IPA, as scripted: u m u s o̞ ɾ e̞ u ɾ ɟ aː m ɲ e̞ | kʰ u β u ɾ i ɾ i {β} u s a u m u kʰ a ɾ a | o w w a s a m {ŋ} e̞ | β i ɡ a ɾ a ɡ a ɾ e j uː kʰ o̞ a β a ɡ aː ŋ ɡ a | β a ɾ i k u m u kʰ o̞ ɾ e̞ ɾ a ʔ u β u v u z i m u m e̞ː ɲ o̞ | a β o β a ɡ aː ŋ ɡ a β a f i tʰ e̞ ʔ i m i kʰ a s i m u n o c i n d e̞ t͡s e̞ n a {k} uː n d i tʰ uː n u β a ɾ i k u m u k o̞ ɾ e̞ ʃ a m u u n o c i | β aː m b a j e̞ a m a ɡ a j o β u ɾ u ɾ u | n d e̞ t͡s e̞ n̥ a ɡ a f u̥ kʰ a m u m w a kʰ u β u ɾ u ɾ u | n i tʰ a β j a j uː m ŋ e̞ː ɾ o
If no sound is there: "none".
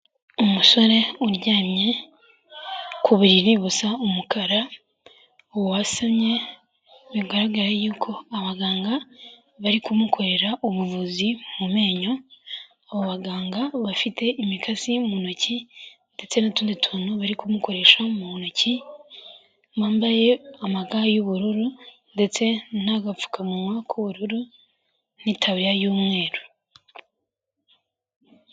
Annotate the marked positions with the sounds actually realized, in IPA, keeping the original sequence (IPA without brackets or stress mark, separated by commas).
β, ɲ, t